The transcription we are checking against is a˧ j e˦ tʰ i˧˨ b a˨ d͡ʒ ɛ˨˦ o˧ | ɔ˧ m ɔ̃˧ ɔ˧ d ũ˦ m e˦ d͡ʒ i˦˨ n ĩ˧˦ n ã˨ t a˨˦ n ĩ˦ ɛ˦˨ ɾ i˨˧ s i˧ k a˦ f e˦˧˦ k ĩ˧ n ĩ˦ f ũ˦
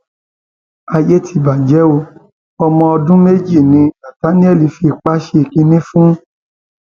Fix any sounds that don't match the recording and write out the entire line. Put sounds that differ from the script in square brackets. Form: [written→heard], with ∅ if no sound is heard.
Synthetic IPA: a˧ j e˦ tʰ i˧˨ b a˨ d͡ʒ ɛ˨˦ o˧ | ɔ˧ m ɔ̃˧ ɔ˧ d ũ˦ m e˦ d͡ʒ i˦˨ n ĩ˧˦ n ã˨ t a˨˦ n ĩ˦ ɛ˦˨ [ɾ→l] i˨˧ [s→f] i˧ [k→k͡p] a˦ [f→ʃ] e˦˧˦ k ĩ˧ n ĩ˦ f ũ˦